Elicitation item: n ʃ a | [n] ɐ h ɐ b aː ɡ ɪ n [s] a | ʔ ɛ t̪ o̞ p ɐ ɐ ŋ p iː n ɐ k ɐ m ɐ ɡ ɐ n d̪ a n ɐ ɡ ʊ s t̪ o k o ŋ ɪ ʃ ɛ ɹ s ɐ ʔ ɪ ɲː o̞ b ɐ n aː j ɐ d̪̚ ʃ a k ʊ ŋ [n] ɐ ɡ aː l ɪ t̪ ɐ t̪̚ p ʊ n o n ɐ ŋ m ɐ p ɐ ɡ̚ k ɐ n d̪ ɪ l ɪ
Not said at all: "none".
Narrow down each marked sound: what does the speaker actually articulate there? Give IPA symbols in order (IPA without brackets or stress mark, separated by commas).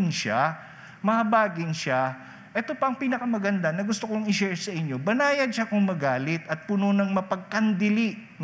m, ʃ, m